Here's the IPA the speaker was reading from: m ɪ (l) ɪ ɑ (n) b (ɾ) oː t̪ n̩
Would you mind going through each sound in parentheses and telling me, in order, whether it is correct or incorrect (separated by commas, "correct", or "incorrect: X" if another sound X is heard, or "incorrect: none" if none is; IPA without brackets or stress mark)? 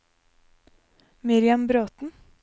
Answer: incorrect: ɾ, incorrect: m, correct